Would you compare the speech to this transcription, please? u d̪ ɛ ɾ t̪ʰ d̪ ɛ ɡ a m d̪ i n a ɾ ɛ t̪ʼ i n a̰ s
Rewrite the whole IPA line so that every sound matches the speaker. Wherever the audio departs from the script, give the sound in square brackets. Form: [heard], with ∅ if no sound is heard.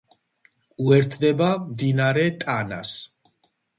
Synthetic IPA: u [∅] ɛ ɾ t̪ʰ d̪ ɛ [b] a m d̪ i n a ɾ ɛ t̪ʼ [a] n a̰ s